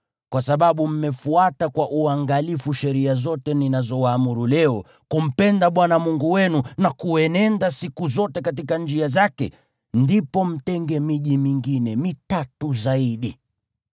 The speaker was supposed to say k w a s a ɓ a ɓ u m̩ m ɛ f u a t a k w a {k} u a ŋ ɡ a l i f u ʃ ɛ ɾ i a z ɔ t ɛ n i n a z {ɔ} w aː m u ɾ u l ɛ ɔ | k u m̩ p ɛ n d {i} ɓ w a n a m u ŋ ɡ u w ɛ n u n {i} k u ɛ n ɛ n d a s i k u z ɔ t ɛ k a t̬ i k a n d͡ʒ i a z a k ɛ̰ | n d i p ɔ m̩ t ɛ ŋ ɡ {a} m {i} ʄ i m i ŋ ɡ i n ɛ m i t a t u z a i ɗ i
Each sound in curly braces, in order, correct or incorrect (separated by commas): incorrect, correct, incorrect, incorrect, incorrect, correct